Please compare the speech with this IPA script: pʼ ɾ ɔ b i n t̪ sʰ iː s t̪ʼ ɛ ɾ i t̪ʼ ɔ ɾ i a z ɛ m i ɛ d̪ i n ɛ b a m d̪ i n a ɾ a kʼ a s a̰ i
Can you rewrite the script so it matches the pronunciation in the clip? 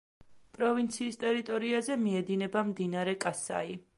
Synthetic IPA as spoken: pʼ ɾ ɔ v i n t̪ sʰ iː s t̪ʼ ɛ ɾ i t̪ʼ ɔ ɾ i a z ɛ m i ɛ d̪ i n ɛ b a m d̪ i n a ɾ ɛ kʼ a s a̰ i